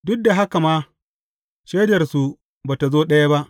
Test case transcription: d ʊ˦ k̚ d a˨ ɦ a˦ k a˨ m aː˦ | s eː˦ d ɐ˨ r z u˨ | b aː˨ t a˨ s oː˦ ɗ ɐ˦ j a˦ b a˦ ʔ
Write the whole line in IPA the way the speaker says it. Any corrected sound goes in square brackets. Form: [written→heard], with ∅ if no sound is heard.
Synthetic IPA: d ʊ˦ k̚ d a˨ ɦ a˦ k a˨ m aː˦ | [s→ʃ] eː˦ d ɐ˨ r [z→s] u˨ | b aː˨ t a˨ [s→z] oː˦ ɗ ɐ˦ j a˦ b a˦ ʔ